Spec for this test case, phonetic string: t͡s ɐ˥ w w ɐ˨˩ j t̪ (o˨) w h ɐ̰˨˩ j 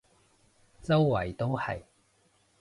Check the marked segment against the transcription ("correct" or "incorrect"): incorrect